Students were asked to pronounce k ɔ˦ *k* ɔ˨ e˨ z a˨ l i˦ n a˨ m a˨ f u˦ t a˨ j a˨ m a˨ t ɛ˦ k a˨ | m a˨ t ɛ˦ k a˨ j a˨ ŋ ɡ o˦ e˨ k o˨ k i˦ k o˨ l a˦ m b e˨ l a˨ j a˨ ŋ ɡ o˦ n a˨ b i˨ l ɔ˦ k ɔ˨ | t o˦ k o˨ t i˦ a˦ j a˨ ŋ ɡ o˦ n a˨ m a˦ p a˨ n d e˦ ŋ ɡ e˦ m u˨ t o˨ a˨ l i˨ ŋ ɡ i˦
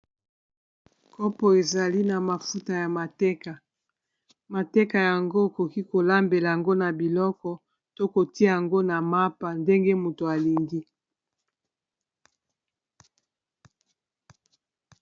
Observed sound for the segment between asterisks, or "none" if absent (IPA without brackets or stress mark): p